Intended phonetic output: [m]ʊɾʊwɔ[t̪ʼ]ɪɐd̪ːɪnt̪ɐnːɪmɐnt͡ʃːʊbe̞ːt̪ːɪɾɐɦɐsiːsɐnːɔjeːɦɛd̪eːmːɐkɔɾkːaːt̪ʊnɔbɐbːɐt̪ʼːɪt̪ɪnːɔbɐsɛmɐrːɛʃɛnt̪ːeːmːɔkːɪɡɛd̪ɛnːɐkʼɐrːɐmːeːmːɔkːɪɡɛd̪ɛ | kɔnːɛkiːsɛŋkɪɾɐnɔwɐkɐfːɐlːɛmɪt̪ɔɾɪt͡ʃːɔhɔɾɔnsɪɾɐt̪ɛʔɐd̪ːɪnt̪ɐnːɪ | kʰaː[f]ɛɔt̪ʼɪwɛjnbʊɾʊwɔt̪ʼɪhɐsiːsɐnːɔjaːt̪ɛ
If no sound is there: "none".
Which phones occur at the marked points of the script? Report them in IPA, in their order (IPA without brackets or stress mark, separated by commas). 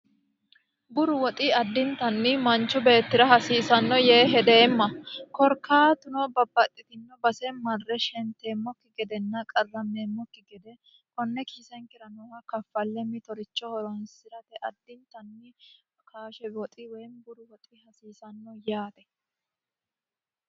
b, t̪ʼ, ʃ